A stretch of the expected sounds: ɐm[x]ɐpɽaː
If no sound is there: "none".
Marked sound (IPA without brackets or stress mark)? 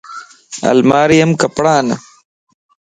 k